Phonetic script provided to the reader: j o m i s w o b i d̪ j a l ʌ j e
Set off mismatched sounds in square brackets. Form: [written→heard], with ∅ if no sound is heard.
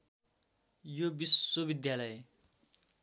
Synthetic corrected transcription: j o [m→b] i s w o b i d̪ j a l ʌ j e